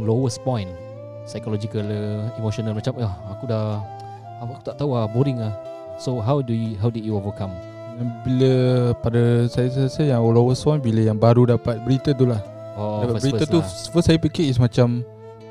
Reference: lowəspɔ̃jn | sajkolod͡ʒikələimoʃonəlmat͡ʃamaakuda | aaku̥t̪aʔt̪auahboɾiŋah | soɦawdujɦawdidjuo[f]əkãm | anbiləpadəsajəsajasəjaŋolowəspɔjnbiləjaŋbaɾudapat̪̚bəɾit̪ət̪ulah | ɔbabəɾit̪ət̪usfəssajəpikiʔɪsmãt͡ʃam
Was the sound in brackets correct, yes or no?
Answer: no